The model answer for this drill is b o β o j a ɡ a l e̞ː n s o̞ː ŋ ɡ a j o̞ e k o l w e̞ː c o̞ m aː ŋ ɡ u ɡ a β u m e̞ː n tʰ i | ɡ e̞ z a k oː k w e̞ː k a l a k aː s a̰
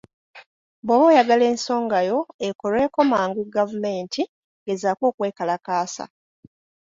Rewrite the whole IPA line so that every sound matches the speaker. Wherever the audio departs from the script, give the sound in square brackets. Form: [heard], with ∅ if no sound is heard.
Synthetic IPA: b o β o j a ɡ a l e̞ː n s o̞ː ŋ ɡ a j o̞ e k o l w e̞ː [k] o̞ m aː ŋ ɡ u ɡ a [v] u m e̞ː n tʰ i | ɡ e̞ z a k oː k w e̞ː k a l a k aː s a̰